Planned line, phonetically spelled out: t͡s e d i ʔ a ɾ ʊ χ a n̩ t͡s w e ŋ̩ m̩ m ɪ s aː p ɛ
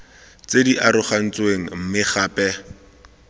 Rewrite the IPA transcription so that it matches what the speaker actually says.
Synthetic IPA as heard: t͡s e d i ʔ a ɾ ʊ χ a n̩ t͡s w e ŋ̩ m̩ m ɪ χ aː p ɛ